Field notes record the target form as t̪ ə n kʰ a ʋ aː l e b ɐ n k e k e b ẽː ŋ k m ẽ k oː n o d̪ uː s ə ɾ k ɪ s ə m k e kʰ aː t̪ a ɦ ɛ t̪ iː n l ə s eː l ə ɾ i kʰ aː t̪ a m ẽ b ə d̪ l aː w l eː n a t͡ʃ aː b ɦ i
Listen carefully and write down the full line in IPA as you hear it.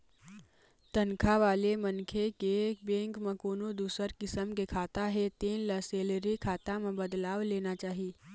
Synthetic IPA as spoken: t̪ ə n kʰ a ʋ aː l e m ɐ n kʰ e k e b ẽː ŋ k m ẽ k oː n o d̪ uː s ə ɾ k ɪ s ə m k e kʰ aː t̪ a ɦ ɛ t̪ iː n l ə s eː l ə ɾ i kʰ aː t̪ a m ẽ b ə d̪ l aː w l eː n a t͡ʃ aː ɦ i